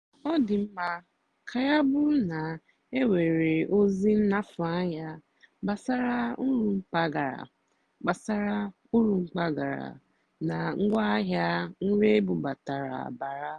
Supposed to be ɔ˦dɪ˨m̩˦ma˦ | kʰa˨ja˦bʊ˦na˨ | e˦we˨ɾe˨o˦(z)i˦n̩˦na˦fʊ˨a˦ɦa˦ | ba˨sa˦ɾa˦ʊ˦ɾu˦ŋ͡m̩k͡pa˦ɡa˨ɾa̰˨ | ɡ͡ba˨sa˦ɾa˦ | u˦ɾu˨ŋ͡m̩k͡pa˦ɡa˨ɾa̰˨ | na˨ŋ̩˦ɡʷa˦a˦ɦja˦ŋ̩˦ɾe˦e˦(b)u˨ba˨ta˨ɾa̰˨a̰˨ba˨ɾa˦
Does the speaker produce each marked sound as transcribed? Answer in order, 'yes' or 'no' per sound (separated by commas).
yes, yes